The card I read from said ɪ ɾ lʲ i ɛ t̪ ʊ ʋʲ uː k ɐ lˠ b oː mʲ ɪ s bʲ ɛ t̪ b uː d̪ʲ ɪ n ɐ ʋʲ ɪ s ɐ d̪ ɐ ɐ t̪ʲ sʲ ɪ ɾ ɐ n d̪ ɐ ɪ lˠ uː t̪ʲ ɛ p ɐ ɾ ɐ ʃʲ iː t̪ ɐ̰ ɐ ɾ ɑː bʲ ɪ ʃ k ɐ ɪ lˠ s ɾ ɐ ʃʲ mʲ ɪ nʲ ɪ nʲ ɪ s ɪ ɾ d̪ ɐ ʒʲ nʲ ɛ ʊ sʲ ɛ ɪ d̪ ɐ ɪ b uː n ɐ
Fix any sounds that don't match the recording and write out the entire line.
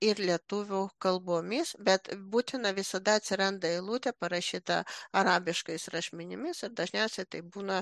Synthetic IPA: ɪ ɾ lʲ i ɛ t̪ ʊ ʋʲ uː k ɐ lˠ b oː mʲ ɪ s bʲ ɛ t̪ b uː t̪ʲ ɪ n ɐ ʋʲ ɪ s ɐ d̪ ɐ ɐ t̪ʲ sʲ ɪ ɾ ɐ n d̪ ɐ ɪ lˠ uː t̪ʲ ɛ p ɐ ɾ ɐ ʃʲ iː t̪ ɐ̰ ɐ ɾ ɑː bʲ ɪ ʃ k ɐ ɪ s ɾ ɐ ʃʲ mʲ ɪ nʲ ɪ mʲ ɪ s ɪ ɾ d̪ ɐ ʒʲ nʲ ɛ ʊ sʲ ɛ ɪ t̪ ɐ ɪ b uː n ɐ